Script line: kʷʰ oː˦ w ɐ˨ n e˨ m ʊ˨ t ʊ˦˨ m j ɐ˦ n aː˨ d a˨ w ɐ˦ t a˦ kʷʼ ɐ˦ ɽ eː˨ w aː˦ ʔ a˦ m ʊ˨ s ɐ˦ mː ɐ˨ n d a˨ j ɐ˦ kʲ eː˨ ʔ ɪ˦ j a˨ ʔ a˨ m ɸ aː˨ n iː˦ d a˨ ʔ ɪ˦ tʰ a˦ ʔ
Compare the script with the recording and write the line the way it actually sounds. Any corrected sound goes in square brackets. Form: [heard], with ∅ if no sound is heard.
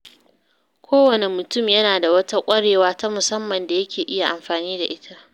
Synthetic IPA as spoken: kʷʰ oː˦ w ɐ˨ n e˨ m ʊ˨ t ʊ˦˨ m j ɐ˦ n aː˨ d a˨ w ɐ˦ t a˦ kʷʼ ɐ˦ ɽ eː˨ w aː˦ [t] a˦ m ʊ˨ s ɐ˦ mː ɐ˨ n d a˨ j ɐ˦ kʲ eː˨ ʔ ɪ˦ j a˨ ʔ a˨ m ɸ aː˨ n iː˦ d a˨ ʔ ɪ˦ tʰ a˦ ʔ